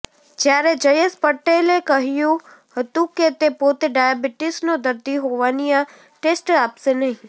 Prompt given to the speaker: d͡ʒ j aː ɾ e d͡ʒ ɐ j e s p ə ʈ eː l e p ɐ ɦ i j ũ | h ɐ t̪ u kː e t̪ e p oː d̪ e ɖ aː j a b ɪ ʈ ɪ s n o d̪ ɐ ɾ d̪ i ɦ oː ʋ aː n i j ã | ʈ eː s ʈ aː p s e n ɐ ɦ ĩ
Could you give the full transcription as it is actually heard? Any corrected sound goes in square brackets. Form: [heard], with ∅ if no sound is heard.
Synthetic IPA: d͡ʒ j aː ɾ e d͡ʒ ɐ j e s p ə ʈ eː l e [k] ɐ ɦ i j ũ | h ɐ t̪ u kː e t̪ e p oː [t̪] e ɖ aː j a b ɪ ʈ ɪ s n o d̪ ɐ ɾ d̪ i ɦ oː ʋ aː n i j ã | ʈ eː s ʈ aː p s e n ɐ ɦ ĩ